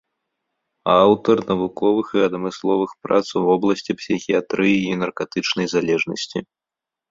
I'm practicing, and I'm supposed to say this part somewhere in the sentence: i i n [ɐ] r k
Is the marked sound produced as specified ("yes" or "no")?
yes